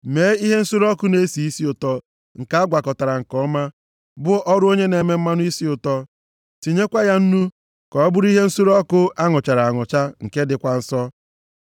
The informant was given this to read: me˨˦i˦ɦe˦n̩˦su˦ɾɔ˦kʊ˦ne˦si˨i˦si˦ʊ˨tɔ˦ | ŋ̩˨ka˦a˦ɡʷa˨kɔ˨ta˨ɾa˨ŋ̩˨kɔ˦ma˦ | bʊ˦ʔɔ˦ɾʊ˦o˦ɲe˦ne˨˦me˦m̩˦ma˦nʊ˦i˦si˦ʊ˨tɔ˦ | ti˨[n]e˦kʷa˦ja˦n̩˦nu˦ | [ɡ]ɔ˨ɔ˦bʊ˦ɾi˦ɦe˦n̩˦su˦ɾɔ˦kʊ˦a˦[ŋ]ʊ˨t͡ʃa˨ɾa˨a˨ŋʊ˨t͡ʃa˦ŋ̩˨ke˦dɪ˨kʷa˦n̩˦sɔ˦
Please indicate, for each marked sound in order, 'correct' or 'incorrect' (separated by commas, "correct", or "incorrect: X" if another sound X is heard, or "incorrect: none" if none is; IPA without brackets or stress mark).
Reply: incorrect: ɲ, incorrect: k, correct